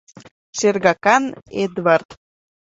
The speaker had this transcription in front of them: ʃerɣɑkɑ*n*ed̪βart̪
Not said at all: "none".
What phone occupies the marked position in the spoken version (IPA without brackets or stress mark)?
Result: n